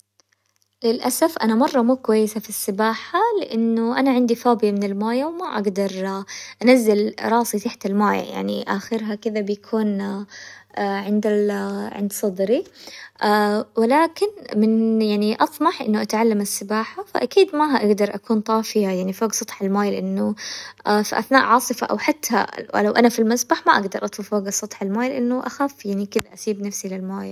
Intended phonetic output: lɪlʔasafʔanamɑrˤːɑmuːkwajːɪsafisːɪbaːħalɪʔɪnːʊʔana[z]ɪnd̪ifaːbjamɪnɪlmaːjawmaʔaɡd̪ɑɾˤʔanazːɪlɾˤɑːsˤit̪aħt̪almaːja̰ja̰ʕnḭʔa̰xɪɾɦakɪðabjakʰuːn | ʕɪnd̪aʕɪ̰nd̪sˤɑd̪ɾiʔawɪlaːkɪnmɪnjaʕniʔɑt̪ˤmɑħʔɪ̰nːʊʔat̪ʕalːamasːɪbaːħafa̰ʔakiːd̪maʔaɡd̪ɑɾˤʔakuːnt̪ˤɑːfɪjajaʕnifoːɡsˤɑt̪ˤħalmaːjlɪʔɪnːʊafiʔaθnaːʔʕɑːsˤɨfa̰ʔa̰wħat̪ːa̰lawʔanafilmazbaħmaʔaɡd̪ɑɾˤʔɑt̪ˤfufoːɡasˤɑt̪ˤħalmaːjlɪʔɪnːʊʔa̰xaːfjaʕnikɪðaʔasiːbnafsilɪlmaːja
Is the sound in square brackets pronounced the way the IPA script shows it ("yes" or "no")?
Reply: no